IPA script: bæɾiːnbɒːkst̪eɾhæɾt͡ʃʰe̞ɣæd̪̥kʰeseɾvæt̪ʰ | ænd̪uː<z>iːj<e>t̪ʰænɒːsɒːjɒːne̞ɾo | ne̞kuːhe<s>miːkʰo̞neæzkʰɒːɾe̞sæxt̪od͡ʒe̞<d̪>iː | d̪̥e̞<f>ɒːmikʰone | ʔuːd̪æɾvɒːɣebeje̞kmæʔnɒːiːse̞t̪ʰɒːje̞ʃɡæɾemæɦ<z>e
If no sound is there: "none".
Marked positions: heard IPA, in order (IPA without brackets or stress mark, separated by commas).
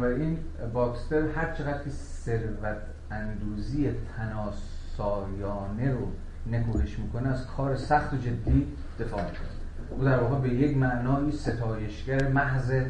z, e, ʃ, d̪ː, f, z